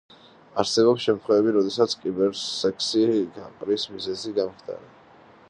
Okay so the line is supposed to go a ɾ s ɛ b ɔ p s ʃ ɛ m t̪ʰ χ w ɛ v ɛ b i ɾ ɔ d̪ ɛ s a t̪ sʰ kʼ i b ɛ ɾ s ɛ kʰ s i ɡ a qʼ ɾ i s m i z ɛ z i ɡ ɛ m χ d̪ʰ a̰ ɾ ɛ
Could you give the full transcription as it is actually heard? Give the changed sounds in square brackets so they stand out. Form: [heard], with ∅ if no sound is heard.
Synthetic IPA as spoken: a ɾ s ɛ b ɔ p s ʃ ɛ m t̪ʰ χ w ɛ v ɛ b i ɾ ɔ d̪ ɛ s a t̪ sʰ kʼ i b ɛ ɾ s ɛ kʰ s i ɡ a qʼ ɾ i s m i z ɛ z i ɡ [a] m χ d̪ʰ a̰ ɾ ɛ